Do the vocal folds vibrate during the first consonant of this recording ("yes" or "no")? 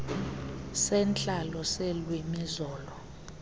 no